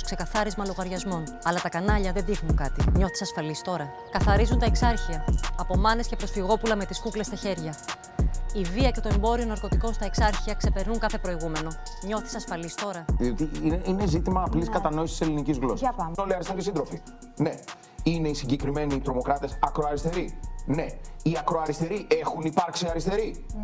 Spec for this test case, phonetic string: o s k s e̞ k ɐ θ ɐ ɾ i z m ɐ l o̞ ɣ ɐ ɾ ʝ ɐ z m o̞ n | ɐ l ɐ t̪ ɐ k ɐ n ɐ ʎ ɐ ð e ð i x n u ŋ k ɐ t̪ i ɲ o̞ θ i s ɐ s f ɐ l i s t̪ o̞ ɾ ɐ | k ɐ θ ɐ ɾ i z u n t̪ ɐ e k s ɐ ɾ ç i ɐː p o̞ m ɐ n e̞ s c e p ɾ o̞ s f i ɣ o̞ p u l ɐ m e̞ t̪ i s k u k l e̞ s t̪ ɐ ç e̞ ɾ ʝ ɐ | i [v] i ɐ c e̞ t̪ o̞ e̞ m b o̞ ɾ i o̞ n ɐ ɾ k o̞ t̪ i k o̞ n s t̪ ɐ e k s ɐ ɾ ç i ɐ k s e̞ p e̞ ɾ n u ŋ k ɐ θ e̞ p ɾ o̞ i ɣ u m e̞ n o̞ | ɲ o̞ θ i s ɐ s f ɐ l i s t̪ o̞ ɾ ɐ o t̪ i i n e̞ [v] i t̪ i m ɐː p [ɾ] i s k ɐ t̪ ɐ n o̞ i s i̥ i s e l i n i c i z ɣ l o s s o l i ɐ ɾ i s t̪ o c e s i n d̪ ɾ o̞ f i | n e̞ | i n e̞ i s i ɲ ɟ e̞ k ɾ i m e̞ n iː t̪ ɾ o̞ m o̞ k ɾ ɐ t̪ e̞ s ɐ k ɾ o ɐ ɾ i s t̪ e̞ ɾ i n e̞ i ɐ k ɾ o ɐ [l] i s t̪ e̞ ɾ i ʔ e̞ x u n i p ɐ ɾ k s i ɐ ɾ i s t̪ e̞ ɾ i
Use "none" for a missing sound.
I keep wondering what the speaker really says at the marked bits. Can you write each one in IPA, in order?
v, z, l, ɾ

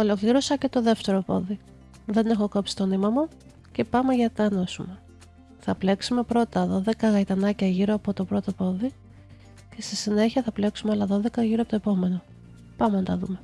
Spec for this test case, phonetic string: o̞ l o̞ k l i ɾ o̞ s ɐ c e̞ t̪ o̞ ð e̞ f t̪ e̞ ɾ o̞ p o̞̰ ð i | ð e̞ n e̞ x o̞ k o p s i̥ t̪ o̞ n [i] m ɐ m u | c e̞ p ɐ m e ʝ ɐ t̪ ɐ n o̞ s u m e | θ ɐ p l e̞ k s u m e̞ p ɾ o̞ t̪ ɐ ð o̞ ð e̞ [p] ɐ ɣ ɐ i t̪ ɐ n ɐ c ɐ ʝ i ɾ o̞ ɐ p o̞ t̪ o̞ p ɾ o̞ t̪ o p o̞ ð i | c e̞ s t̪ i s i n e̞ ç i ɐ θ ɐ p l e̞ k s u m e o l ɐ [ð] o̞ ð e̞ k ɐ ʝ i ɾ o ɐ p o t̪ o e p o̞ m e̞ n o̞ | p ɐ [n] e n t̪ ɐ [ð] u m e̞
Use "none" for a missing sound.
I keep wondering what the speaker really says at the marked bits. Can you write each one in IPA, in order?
i, k, ð, m, ð

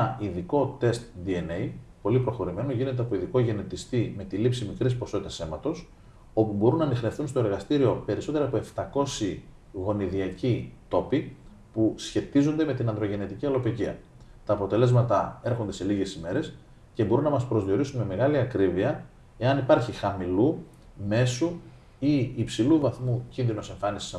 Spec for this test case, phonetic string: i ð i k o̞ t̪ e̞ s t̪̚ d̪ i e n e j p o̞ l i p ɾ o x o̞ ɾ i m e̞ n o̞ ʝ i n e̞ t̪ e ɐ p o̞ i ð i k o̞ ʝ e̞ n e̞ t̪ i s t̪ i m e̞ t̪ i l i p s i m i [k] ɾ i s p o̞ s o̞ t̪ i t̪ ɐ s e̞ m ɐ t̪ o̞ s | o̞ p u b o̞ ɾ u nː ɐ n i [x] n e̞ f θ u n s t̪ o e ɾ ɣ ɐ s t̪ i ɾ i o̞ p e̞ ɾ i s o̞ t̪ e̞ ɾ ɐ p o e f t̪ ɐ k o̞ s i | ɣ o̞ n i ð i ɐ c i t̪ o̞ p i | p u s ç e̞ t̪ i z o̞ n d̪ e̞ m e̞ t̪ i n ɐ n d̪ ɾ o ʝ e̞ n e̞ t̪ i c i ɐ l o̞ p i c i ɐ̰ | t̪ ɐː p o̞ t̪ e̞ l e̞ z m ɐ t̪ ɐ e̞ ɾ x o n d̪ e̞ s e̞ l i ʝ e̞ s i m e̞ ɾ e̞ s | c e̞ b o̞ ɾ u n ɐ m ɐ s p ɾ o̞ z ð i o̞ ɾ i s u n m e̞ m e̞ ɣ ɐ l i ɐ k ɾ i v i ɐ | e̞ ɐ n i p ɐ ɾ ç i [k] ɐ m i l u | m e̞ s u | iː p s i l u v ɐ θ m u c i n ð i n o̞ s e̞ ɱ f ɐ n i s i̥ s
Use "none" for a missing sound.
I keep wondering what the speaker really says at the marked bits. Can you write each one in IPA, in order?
k, x, x

